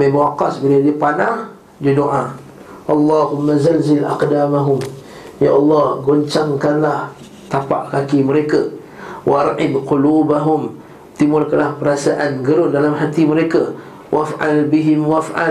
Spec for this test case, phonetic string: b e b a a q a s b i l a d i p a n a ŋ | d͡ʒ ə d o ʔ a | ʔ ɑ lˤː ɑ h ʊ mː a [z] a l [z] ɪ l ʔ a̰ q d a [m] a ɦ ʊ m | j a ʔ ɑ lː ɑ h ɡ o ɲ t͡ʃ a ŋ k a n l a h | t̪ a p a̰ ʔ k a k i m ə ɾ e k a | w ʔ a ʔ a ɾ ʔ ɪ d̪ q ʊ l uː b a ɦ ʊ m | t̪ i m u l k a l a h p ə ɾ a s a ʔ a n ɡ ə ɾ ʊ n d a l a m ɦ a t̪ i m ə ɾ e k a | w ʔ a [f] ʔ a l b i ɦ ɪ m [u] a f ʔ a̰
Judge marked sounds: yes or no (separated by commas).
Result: yes, yes, yes, yes, no